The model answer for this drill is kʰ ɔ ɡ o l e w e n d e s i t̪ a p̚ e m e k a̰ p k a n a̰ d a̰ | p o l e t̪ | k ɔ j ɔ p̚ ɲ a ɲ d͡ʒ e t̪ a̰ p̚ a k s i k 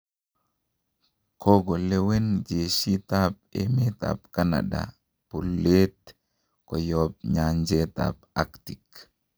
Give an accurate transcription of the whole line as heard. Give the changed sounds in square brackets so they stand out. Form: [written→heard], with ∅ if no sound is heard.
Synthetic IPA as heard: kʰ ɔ ɡ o l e w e n [d→d͡ʒ] e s i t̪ a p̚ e m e [k→t] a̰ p k a n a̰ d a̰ | p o l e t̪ | k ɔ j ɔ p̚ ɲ a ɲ d͡ʒ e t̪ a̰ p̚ a k [s→t] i k